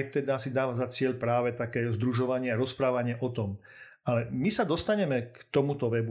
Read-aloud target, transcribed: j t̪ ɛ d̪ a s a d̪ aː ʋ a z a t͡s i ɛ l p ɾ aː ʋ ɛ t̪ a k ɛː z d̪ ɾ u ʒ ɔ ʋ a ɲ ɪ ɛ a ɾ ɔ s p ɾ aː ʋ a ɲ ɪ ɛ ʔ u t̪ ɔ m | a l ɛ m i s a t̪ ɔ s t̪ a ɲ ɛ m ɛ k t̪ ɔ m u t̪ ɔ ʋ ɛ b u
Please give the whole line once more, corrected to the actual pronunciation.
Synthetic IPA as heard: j t̪ ɛ d̪ a s i d̪ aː ʋ a z a t͡s ɪ ɛ ʎ p ɾ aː ʋ ɛ t̪ a k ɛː z d̪ ɾ u ʒ ɔ ʋ a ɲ ɪ ɛ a ɾ ɔ s p ɾ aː ʋ a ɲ ɪ ɛ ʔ ɔ t̪ ɔ m | a l ɛ m i s a d̪ ɔ s t̪ a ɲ ɛ m ɛ k t̪ ɔ m u t̪ ɔ ʋ ɛ b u